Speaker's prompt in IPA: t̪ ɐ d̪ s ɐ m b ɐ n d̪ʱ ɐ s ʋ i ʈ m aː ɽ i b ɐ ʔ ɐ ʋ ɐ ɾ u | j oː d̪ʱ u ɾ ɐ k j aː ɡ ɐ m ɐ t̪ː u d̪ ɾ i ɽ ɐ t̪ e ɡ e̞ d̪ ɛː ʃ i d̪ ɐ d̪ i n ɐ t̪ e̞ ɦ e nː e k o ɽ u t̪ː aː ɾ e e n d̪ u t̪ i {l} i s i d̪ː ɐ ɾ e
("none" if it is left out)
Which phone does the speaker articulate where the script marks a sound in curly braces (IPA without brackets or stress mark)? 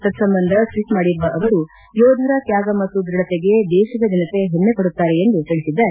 ɭ